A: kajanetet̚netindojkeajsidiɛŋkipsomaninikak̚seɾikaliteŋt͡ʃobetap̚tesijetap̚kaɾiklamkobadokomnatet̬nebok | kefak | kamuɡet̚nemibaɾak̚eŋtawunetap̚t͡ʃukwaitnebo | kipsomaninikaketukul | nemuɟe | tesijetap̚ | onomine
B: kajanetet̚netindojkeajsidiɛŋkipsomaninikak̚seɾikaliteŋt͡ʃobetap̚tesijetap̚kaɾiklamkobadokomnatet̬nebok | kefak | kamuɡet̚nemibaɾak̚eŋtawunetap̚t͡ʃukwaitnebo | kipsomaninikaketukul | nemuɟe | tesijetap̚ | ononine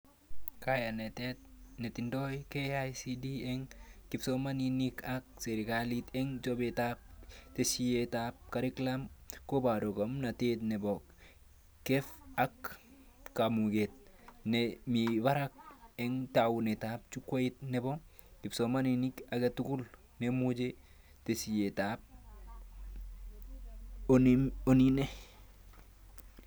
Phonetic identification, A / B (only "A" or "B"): B